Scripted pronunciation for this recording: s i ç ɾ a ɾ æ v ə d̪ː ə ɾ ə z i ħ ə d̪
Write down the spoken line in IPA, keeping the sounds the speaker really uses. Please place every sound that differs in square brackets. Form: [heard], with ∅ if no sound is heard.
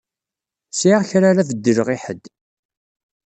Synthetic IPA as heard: s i ç ɾ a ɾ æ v ə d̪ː ə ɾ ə [ʁ] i ħ ə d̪